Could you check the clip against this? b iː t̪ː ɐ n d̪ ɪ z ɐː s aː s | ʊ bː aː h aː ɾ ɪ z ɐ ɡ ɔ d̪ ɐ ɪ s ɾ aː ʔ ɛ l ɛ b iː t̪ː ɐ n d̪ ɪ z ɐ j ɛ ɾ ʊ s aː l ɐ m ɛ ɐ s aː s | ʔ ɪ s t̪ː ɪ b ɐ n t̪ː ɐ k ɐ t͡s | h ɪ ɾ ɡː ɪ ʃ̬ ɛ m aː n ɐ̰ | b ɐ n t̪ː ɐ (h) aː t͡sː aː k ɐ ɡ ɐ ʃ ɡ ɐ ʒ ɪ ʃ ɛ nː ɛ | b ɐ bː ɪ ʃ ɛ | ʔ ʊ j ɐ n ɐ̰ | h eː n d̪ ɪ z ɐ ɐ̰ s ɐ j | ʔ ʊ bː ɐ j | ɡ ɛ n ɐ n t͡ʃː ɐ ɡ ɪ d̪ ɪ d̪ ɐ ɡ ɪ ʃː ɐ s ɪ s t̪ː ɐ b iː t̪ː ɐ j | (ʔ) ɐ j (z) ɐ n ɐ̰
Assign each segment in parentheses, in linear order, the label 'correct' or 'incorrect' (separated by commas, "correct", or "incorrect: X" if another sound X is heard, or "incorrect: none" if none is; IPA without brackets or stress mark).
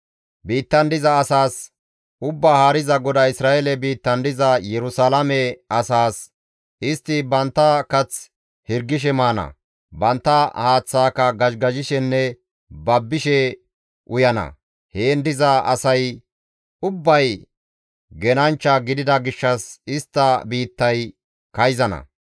correct, incorrect: k, correct